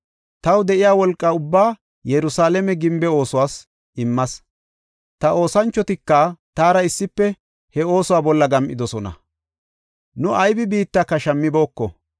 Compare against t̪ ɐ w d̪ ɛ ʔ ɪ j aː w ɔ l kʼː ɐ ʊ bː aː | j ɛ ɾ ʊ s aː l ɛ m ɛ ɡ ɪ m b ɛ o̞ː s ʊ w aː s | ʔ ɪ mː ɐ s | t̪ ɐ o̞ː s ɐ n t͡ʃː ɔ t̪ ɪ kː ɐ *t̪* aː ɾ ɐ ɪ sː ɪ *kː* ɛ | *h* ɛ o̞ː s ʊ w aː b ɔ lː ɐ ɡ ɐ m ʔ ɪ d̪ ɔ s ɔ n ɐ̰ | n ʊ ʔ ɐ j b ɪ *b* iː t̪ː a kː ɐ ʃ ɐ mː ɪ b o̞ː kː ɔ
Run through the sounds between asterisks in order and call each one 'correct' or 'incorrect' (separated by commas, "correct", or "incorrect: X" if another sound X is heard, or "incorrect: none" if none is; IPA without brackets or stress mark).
correct, incorrect: pː, correct, correct